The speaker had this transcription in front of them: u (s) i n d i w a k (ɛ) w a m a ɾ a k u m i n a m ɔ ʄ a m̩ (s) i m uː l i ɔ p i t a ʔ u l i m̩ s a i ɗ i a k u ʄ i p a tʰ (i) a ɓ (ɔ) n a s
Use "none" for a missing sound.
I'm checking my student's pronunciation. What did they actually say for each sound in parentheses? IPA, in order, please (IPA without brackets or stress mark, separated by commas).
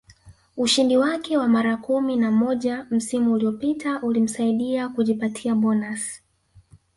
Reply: ʃ, ɛ, s, i, ɔ